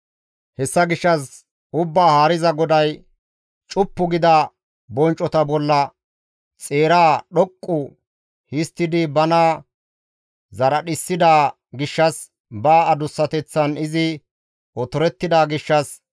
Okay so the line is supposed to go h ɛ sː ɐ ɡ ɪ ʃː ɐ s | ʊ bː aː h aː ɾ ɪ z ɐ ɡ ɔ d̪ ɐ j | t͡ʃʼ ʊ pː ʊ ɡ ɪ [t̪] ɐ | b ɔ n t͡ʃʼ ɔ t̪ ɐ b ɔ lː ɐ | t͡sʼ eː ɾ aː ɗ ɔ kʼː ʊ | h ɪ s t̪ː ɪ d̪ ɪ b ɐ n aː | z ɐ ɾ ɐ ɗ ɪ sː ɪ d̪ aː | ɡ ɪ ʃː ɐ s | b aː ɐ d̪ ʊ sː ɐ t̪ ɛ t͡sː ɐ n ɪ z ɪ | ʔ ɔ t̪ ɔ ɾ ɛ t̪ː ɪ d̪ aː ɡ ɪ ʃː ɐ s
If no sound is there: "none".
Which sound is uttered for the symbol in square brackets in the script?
d̪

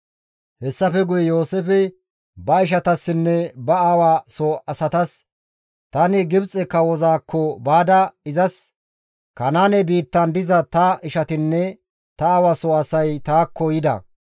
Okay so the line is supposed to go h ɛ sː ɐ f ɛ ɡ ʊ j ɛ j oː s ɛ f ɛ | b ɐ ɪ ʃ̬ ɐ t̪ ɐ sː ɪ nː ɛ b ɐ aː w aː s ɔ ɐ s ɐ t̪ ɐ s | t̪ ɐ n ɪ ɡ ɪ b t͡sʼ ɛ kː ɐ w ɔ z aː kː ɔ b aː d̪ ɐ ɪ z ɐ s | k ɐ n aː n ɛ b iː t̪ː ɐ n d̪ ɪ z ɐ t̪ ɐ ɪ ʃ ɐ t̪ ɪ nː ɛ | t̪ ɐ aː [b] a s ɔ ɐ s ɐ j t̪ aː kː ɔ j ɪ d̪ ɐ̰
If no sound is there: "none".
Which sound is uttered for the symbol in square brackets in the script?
w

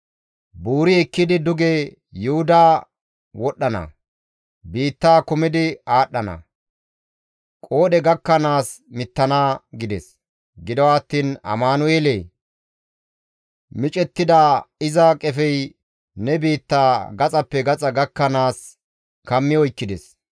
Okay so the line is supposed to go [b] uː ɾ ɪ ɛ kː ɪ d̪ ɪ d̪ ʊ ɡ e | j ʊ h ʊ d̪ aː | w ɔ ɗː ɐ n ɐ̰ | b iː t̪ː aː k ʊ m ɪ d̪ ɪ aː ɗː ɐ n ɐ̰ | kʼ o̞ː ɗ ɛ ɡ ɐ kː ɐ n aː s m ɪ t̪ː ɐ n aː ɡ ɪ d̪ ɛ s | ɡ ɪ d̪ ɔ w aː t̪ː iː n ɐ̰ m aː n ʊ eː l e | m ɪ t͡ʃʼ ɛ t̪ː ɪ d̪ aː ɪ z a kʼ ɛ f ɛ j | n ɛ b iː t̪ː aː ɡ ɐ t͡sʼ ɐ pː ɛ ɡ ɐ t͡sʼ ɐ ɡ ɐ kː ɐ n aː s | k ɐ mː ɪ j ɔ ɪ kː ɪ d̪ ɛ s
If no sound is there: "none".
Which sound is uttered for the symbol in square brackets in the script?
b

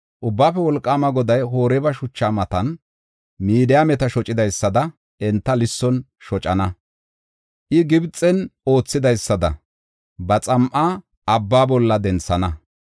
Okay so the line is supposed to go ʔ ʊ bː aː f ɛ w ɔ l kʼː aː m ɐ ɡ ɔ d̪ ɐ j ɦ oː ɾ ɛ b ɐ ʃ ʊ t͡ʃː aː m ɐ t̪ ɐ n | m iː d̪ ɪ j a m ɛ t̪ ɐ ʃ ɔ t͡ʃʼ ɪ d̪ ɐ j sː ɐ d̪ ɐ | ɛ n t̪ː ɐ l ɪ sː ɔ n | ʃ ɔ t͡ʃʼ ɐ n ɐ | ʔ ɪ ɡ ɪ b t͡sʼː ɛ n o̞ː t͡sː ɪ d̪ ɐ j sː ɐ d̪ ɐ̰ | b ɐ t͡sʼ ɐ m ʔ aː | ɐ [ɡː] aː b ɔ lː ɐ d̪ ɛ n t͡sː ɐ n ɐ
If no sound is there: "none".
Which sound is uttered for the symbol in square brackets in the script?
bː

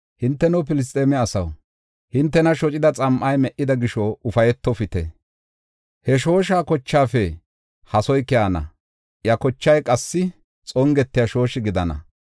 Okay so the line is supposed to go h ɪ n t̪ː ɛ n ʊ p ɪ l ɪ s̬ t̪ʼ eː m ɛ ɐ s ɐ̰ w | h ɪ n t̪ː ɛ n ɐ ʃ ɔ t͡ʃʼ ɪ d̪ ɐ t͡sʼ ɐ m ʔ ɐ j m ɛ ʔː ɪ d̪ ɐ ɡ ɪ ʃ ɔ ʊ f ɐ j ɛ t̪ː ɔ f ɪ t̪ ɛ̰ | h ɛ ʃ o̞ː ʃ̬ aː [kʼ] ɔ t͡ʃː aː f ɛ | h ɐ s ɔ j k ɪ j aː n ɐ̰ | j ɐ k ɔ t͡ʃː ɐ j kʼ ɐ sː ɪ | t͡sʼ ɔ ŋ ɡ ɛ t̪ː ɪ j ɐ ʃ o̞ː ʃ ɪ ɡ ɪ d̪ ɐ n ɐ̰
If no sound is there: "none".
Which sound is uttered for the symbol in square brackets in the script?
k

